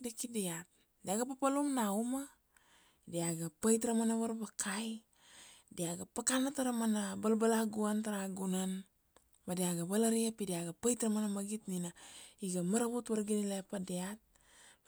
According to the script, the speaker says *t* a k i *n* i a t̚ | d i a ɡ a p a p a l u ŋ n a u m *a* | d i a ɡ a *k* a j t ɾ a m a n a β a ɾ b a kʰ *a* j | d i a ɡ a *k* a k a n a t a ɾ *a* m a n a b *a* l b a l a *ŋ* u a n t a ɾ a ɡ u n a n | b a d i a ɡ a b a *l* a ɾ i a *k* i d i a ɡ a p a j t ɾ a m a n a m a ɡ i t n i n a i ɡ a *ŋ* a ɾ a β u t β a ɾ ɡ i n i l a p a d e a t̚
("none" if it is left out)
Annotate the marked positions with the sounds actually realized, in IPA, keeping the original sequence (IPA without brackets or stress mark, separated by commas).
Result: d, d, a, p, a, p, a, a, ɡ, l, p, m